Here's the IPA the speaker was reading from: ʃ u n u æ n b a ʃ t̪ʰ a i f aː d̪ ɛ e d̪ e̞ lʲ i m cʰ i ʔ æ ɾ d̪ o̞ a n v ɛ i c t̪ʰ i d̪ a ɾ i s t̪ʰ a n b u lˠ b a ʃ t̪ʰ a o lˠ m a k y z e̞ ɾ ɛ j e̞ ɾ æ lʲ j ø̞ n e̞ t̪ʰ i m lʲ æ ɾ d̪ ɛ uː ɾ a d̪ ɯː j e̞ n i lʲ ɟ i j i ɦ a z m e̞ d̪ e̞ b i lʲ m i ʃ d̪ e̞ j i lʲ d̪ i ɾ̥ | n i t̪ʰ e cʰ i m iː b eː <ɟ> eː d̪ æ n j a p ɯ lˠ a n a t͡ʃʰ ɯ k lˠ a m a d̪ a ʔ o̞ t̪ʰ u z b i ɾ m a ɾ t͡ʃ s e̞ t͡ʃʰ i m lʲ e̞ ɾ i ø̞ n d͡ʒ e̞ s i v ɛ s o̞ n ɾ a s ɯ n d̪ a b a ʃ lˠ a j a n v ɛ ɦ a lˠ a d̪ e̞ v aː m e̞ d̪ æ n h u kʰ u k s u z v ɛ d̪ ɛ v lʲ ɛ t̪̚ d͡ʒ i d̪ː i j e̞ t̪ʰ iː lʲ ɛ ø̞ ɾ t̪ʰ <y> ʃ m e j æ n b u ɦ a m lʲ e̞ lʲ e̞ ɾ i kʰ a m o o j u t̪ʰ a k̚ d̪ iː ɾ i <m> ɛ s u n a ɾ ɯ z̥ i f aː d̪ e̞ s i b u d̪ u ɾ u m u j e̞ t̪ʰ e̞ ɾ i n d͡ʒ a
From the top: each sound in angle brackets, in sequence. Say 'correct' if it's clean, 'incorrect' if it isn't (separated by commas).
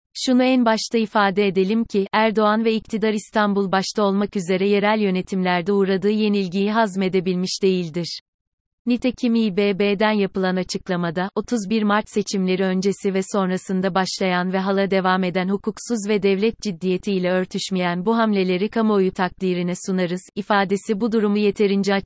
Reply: incorrect, correct, incorrect